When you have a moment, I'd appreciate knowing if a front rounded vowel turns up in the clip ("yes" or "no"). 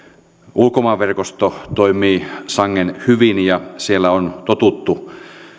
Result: yes